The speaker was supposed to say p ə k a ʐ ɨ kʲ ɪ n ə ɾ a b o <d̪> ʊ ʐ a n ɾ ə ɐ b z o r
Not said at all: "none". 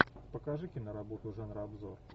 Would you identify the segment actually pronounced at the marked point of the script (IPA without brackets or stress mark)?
t̪